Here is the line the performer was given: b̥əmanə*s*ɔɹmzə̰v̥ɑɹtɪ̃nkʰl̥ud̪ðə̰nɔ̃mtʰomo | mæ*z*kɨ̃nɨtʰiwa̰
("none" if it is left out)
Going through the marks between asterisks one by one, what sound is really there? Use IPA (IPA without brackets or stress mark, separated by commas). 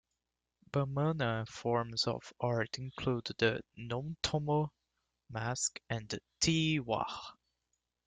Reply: f, s